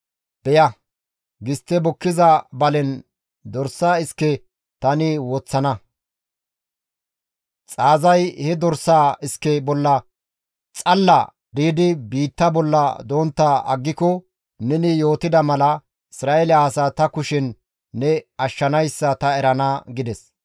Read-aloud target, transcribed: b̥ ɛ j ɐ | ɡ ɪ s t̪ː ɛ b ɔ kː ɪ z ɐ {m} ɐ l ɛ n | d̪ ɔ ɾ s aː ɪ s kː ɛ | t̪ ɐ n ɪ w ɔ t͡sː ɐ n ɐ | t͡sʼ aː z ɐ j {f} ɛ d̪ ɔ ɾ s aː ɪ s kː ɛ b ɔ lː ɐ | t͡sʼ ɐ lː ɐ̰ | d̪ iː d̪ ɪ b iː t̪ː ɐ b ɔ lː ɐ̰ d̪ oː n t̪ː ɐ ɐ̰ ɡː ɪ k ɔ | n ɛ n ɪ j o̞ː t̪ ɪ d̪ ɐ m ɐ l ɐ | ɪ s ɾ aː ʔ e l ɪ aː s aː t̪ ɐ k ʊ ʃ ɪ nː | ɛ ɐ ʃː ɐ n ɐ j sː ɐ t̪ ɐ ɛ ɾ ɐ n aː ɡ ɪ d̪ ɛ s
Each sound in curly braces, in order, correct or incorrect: incorrect: b, incorrect: h

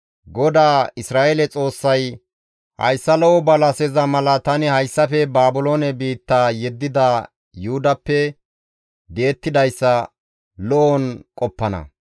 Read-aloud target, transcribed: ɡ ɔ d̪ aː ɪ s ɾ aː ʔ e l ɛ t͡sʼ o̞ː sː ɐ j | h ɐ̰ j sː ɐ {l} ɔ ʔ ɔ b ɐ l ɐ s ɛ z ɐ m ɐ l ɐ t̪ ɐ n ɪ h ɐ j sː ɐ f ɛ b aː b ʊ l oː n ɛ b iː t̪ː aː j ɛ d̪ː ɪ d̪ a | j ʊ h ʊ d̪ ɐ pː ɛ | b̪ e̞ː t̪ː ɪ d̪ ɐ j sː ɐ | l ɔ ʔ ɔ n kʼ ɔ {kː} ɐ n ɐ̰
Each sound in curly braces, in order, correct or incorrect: correct, incorrect: pː

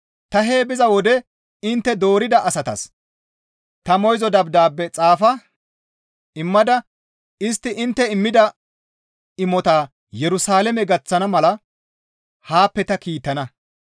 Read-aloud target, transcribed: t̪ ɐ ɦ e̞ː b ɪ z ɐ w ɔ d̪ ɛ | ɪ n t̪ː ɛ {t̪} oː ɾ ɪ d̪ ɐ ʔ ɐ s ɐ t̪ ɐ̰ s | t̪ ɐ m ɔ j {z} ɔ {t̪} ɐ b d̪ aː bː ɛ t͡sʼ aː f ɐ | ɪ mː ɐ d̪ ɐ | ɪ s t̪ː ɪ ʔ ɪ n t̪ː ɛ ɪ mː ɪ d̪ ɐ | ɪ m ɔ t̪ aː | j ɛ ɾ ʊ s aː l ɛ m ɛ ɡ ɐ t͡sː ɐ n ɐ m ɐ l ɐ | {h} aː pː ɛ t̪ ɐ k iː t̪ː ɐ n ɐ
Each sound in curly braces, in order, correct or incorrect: incorrect: d̪, correct, incorrect: d̪, correct

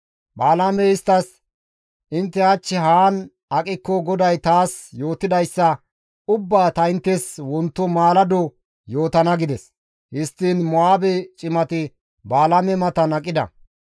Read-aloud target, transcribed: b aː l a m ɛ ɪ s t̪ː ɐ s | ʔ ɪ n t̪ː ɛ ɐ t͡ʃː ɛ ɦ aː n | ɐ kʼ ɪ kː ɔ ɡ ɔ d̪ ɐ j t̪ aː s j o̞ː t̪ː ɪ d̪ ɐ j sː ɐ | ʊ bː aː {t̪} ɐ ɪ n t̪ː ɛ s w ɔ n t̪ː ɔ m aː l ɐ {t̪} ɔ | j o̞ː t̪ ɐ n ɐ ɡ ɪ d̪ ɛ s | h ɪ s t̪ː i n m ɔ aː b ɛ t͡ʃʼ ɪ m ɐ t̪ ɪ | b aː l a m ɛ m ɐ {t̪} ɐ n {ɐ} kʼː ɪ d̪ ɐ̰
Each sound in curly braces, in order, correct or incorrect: correct, incorrect: d̪, correct, correct

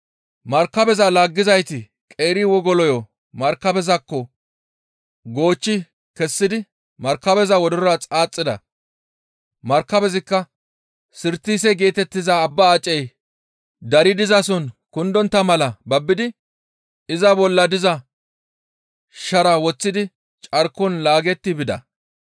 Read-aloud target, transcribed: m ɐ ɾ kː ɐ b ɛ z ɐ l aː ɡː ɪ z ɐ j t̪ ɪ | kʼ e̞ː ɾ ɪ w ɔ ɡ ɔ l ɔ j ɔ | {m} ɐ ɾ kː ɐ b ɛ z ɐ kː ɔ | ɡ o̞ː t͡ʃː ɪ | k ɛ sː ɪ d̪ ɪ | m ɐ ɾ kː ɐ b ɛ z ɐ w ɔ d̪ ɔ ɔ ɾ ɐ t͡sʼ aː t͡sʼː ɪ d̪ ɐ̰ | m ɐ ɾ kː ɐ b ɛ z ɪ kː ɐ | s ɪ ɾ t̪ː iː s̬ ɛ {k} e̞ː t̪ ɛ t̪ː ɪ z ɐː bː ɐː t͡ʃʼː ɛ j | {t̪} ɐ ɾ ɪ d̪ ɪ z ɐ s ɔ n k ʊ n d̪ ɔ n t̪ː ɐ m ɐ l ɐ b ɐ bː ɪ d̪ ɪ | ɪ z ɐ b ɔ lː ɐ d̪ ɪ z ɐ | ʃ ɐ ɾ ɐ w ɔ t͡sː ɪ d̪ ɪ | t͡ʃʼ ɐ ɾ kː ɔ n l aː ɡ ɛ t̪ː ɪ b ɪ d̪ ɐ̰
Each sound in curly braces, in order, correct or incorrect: correct, incorrect: ɡ, incorrect: d̪

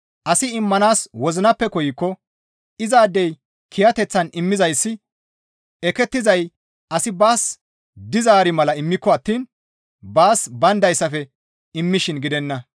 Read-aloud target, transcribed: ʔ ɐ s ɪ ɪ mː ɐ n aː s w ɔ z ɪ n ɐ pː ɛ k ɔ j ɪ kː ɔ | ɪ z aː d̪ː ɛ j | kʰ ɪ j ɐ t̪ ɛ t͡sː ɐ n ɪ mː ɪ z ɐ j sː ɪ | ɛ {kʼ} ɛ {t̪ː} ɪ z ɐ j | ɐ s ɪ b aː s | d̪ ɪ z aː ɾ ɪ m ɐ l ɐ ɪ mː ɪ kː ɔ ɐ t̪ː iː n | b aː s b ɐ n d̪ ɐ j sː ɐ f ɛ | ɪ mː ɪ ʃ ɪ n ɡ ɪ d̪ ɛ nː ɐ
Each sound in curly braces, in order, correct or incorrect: incorrect: k, correct

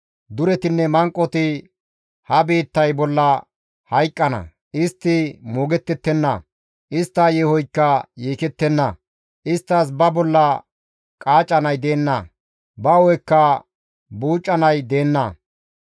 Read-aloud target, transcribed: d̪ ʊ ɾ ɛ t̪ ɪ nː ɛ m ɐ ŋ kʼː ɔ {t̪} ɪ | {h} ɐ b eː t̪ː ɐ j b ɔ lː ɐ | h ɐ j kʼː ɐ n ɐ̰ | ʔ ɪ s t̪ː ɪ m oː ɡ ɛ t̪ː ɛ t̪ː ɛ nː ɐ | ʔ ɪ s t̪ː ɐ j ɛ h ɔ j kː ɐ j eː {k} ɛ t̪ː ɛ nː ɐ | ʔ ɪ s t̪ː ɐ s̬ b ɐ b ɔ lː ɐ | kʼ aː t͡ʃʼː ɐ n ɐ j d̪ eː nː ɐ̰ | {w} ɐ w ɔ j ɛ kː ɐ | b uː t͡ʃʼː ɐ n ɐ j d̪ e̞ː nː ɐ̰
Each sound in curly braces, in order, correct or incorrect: correct, correct, correct, incorrect: b

